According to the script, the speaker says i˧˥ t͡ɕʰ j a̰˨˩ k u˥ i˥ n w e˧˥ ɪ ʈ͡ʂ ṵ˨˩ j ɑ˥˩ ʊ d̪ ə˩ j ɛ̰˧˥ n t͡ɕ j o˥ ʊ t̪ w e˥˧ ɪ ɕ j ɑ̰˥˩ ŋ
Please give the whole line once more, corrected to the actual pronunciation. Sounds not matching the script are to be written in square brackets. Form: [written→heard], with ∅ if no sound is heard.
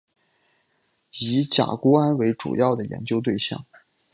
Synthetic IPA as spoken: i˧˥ [t͡ɕʰ→t͡ɕ] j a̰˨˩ k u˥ [i˥→a˥] n w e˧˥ ɪ ʈ͡ʂ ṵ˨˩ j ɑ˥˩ ʊ d̪ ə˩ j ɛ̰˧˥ n t͡ɕ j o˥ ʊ t̪ w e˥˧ ɪ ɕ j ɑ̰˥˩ ŋ